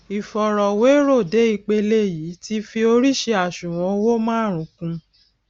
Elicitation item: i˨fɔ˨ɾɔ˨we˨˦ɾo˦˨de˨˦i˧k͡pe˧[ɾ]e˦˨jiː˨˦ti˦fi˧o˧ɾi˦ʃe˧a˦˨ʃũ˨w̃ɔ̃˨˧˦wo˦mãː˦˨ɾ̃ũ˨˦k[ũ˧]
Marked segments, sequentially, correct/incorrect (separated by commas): incorrect, correct